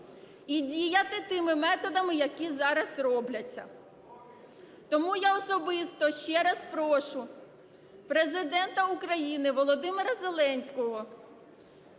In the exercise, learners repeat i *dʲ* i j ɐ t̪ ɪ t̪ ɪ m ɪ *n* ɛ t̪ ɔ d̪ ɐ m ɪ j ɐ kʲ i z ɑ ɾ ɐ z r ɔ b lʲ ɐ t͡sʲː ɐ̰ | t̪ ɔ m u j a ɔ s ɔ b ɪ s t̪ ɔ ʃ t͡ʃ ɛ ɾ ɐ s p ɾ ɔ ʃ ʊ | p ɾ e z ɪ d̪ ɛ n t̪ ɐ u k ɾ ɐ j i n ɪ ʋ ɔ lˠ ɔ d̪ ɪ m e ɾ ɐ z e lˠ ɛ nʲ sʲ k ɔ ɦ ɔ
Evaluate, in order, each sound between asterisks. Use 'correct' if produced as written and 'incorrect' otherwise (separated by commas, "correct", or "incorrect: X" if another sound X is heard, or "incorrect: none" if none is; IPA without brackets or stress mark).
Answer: correct, incorrect: m